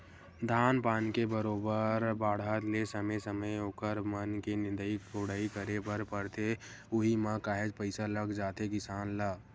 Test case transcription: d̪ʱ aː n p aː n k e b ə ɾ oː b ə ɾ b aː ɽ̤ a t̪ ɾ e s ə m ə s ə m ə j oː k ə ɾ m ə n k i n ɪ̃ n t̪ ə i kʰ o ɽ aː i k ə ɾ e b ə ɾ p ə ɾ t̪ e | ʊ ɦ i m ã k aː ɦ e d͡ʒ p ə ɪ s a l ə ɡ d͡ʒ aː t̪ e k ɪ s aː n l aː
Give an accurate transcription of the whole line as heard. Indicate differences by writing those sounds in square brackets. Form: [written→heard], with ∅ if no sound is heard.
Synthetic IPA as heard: d̪ʱ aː n p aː n k e b ə ɾ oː b ə ɾ b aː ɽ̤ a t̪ [ɾ→l] e s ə m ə s ə m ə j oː k ə ɾ m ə n k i n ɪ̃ n [t̪→d̪] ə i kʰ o ɽ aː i k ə ɾ e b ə ɾ p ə ɾ t̪ e | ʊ ɦ i m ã k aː ɦ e d͡ʒ p ə ɪ s a l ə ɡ d͡ʒ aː t̪ e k ɪ s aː n l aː